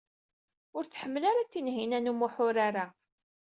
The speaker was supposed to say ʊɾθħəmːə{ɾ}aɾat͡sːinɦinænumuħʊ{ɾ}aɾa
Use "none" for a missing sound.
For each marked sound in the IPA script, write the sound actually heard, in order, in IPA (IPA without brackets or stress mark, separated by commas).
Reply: l, ɾ